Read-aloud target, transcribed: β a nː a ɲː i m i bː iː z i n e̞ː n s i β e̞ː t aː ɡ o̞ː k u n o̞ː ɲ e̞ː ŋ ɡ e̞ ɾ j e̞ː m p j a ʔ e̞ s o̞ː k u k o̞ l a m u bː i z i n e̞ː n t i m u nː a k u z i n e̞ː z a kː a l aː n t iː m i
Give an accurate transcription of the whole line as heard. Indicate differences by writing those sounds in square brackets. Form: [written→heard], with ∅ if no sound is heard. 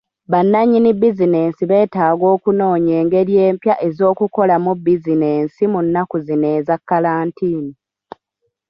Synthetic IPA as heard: β a nː a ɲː i [m→n] i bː [iː→i] z i n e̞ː n s i β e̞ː t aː ɡ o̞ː k u n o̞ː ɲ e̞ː ŋ ɡ e̞ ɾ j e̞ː m p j a ʔ e̞ [s→z] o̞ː k u k o̞ l a m u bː i z i n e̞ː n [t→s] i m u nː a k u z i n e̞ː z a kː a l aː n t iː [m→n] i